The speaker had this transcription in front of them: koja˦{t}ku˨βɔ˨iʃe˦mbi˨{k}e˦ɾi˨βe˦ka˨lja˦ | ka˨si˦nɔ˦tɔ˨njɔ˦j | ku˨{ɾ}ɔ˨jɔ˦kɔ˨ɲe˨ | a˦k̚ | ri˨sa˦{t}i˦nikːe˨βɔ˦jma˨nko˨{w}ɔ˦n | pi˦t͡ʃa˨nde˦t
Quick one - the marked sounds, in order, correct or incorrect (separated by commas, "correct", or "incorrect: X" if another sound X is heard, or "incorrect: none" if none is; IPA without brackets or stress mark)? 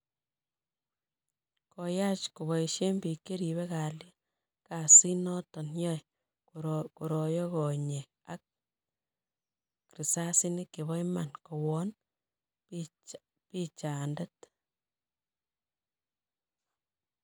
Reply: incorrect: t͡ʃ, correct, correct, incorrect: s, correct